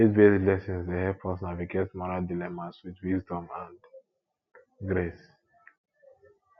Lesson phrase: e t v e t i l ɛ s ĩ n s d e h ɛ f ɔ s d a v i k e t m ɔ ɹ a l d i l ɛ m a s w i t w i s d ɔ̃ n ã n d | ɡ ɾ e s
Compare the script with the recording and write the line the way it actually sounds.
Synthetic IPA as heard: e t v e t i l ɛ s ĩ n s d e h ɛ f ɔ s n a v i ɡ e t m ɔ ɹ a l d i l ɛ m a s w i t w i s d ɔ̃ m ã n d | ɡ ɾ e s